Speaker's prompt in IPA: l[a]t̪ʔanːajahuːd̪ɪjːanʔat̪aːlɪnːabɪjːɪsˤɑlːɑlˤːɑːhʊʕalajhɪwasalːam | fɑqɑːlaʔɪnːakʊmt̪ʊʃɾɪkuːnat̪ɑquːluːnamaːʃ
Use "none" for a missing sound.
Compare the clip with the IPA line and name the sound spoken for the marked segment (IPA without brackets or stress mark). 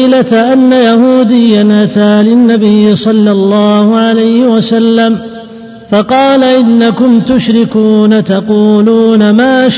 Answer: a